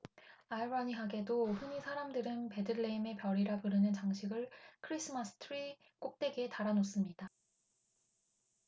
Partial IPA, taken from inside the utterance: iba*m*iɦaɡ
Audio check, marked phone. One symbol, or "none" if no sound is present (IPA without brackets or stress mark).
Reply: ɲ